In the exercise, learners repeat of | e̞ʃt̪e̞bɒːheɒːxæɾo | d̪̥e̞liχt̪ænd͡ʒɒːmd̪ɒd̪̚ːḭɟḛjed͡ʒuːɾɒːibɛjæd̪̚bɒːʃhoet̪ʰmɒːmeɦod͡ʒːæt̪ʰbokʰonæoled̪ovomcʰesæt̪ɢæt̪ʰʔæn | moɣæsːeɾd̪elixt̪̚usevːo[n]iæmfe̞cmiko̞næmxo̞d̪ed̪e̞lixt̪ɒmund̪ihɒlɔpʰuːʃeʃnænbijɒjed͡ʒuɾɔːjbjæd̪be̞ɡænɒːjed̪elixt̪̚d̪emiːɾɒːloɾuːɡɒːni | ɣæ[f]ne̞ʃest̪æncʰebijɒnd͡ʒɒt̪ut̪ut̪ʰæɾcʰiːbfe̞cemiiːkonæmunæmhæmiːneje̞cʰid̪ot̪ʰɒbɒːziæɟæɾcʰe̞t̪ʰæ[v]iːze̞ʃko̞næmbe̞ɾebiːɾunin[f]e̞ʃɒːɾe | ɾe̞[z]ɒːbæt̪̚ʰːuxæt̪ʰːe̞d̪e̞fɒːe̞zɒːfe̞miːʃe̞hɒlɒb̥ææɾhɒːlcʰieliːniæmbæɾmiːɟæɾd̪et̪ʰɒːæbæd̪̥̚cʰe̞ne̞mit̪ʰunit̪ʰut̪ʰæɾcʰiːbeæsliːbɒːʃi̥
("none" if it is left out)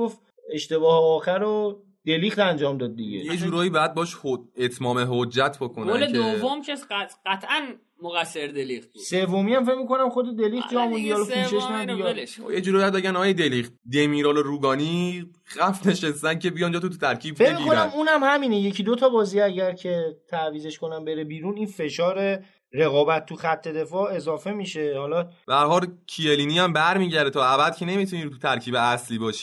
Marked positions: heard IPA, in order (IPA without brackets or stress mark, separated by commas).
m, f, v, f, ɣ